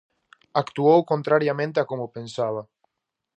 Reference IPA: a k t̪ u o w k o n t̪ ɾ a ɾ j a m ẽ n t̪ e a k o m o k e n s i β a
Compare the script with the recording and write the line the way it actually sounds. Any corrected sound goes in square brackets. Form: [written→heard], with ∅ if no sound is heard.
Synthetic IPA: a k t̪ u o w k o n t̪ ɾ a ɾ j a m ẽ n t̪ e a k o m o [k→p] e n s [i→a] β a

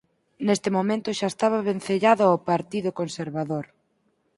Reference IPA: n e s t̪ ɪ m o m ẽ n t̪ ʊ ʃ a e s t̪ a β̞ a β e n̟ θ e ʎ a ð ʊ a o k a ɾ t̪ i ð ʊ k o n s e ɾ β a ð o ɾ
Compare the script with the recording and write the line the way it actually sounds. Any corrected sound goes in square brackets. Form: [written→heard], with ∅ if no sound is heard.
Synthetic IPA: n e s t̪ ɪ m o m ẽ n t̪ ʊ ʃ a e s t̪ a β̞ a β e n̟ θ e ʎ a ð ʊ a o [k→p] a ɾ t̪ i ð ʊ k o n s e ɾ β a ð o ɾ

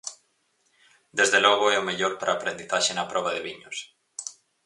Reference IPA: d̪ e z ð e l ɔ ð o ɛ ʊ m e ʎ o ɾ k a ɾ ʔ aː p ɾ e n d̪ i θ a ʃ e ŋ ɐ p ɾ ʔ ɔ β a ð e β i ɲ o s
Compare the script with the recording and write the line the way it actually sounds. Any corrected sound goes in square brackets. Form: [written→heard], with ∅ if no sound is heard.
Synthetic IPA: d̪ e z ð e l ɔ [ð→ɣ] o ɛ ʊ m e ʎ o ɾ [k→p] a ɾ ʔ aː p ɾ e n d̪ i θ a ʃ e [ŋ→n] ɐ p ɾ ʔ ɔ β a ð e β i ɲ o s

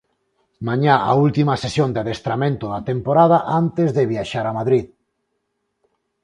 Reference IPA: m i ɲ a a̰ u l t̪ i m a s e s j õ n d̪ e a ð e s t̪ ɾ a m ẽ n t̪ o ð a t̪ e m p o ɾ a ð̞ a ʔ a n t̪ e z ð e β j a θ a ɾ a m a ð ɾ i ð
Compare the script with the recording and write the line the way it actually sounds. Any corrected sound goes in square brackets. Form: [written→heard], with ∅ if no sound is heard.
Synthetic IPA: m [i→a] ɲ a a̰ u l t̪ i m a s e s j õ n d̪ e a ð e s t̪ ɾ a m ẽ n t̪ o ð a t̪ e m p o ɾ a ð̞ a ʔ a n t̪ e z ð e β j a [θ→ʃ] a ɾ a m a ð ɾ i ð

